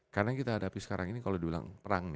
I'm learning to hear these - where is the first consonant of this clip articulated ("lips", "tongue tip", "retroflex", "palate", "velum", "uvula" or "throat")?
velum